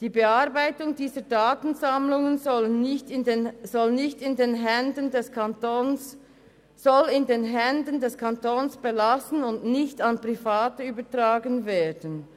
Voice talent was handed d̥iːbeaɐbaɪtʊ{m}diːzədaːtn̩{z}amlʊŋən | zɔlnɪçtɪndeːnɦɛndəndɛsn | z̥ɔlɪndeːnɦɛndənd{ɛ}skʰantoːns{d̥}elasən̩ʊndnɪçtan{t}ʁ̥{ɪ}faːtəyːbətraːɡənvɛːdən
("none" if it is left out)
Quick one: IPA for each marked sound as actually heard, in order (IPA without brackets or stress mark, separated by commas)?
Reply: ŋ, z, ɛ, b̥, p, i